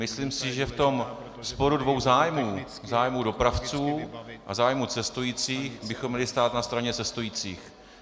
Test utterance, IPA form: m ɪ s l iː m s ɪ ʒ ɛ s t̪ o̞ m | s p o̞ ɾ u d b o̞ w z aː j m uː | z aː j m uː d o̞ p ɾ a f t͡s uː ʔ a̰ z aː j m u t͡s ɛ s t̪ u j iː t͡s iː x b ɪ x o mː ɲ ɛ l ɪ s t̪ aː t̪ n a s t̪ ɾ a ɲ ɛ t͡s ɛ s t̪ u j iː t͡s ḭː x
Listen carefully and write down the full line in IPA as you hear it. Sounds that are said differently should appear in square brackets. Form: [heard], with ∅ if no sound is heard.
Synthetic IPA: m ɪ s l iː m s ɪ ʒ ɛ [f] t̪ o̞ m | s p o̞ ɾ u d [v] o̞ w z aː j m uː | z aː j m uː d o̞ p ɾ a f t͡s uː ʔ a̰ z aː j m u t͡s ɛ s t̪ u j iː t͡s iː x b ɪ x o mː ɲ ɛ l ɪ s t̪ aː t̪ n a s t̪ ɾ a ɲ ɛ t͡s ɛ s t̪ u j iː t͡s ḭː x